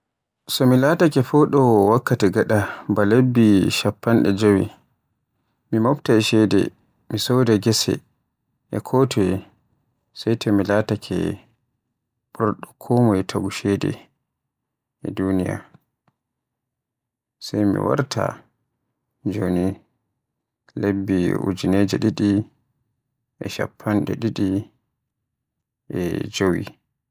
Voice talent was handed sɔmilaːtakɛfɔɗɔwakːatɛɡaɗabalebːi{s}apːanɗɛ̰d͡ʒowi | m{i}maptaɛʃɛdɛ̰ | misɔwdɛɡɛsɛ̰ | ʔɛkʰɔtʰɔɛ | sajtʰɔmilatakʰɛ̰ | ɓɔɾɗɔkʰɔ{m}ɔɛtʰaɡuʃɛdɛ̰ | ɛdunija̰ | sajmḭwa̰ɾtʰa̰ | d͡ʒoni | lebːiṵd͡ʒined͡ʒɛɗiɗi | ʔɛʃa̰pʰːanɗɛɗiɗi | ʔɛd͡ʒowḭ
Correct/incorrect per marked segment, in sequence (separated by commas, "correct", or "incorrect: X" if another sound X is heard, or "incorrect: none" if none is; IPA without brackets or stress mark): incorrect: ʃ, correct, correct